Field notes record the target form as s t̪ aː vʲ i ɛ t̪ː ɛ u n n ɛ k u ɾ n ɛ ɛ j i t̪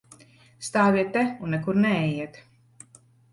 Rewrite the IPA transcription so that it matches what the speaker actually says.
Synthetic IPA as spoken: s t̪ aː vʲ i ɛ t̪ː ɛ u n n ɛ k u ɾ n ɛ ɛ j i t̪